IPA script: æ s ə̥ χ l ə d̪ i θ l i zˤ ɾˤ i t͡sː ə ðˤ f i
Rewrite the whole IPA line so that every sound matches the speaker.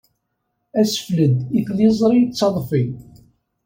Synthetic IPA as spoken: æ s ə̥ f l ə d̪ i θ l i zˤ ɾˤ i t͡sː ɑ ðˤ f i